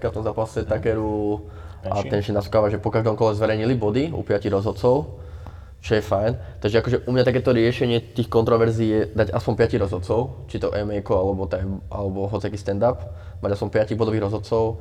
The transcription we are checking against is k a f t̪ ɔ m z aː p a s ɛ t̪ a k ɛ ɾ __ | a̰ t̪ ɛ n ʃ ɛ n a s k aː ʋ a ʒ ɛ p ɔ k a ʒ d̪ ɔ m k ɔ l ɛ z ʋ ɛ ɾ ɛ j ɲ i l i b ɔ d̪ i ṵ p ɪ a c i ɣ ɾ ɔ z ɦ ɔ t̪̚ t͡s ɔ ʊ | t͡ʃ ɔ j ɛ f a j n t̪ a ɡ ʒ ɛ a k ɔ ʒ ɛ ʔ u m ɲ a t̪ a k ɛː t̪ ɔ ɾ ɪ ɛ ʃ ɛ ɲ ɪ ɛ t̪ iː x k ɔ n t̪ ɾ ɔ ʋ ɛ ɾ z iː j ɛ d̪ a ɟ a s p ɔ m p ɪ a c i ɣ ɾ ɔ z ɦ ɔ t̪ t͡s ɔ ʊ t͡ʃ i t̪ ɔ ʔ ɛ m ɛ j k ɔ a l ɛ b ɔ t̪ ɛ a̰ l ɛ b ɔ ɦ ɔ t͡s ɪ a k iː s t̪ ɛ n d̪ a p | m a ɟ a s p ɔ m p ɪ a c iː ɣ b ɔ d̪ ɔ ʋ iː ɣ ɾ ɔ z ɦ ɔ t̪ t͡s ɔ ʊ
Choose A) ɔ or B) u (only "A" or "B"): B